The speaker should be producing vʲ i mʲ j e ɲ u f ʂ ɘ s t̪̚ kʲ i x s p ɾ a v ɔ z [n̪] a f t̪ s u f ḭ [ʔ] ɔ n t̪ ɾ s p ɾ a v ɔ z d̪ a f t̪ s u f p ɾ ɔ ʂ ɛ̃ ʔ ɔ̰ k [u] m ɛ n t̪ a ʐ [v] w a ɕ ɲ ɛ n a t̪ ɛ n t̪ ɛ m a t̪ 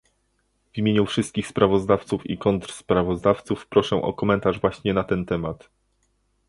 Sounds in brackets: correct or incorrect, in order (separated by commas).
incorrect, incorrect, incorrect, correct